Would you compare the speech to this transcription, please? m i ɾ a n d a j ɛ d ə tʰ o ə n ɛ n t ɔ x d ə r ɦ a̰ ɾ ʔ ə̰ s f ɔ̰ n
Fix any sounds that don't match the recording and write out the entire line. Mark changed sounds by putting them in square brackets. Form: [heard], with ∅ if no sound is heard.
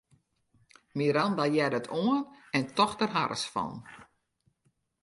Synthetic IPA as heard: m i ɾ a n d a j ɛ d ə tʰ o ə n ɛ n t ɔ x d ə r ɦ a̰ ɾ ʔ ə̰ s f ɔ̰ n

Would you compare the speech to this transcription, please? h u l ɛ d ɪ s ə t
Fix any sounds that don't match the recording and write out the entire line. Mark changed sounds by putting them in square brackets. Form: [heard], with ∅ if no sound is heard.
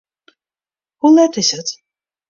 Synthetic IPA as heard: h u l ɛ [t] ɪ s ə t

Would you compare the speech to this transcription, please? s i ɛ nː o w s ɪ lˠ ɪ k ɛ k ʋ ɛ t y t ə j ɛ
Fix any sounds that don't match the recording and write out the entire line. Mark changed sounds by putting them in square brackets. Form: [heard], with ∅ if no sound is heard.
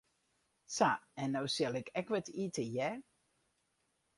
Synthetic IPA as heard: s [a] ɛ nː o w s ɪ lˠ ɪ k ɛ k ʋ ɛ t [i] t ə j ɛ

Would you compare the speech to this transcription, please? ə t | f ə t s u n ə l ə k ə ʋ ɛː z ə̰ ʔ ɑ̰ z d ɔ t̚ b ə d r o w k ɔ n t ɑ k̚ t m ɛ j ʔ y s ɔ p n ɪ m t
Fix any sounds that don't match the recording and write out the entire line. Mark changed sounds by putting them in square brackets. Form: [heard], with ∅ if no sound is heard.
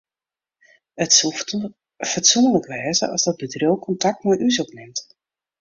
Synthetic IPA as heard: ə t | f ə t s u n ə l ə k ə ʋ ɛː z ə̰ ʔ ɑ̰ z d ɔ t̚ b ə d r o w k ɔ n t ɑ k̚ t m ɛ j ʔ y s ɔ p n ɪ m t

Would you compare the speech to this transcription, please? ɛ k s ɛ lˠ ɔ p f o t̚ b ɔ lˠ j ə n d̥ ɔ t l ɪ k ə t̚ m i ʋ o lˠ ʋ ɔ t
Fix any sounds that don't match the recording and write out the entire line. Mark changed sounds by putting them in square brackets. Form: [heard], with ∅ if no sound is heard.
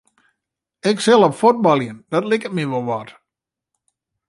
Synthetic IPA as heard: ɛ k s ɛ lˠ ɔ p f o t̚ b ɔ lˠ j ə n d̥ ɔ t l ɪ k ə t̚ m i ʋ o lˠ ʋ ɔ t

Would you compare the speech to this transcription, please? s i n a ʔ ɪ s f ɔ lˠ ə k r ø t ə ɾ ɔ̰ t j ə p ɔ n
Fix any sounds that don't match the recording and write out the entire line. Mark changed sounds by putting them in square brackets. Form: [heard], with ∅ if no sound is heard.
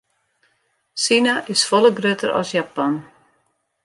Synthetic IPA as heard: s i n a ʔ ɪ s f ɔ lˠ ə [ɡ] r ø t ə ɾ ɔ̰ [s] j [a] p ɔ n

